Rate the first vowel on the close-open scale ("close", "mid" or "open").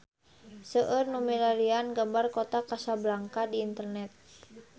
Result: mid